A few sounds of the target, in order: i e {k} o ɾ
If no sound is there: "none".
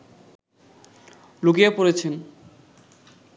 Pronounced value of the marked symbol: p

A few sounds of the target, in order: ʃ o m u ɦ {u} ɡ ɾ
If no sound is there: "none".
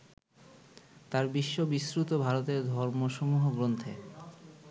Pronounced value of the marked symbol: o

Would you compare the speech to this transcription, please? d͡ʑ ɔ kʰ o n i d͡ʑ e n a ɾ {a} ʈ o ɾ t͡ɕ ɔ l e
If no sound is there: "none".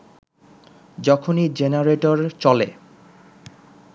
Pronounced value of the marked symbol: e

